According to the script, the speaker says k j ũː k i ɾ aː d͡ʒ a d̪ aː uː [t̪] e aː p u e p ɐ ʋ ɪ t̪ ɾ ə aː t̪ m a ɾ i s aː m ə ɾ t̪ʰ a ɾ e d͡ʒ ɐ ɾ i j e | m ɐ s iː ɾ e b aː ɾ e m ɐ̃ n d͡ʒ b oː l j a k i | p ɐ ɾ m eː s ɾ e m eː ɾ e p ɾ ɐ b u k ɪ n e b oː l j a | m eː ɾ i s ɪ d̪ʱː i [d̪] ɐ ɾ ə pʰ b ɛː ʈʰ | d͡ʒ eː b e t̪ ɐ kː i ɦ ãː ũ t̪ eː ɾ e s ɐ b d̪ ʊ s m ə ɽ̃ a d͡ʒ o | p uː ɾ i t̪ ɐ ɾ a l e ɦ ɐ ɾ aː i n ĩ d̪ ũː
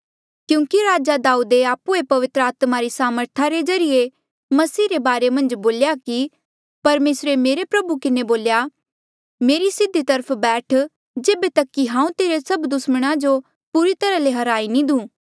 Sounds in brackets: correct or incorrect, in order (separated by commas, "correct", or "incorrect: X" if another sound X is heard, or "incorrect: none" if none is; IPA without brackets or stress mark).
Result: incorrect: d̪, incorrect: t̪